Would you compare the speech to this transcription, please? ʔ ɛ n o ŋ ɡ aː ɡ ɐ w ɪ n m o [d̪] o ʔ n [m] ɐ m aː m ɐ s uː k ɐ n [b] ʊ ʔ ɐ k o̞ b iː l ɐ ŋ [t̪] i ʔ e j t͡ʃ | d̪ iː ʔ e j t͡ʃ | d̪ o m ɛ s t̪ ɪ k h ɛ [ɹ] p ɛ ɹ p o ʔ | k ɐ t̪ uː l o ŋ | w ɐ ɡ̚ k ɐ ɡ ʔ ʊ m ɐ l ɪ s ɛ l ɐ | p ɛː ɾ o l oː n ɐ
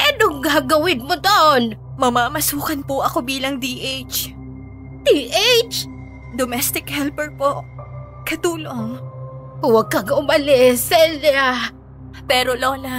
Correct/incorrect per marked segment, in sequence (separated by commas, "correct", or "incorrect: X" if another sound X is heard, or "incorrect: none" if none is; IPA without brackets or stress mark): correct, correct, incorrect: p, incorrect: d̪, incorrect: l